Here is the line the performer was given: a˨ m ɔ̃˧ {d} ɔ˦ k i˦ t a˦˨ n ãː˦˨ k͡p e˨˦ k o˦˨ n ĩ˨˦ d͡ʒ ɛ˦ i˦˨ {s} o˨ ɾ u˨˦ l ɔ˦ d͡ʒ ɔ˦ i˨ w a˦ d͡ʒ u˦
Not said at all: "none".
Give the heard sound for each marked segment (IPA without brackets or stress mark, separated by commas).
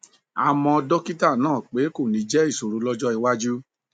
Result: d, s